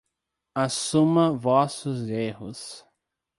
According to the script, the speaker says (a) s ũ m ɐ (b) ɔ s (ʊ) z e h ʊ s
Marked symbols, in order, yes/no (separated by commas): yes, no, yes